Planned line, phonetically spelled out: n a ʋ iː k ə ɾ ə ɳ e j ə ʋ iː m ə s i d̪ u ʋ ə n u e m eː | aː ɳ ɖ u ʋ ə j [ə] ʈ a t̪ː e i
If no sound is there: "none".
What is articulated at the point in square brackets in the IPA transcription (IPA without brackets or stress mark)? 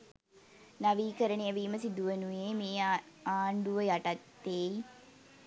a